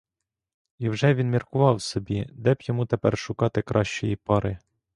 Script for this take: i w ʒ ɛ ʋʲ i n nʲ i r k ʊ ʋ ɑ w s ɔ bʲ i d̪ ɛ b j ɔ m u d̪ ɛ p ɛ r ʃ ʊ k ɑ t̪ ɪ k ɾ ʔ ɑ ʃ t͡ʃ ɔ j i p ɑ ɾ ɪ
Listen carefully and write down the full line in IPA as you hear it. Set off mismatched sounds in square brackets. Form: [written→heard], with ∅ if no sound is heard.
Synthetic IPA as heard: i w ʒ ɛ ʋʲ i n [nʲ→mʲ] i r k ʊ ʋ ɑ w s ɔ bʲ i d̪ ɛ b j ɔ m u [d̪→t̪] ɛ p ɛ r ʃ ʊ k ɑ t̪ ɪ k ɾ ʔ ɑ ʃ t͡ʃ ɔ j i p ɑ ɾ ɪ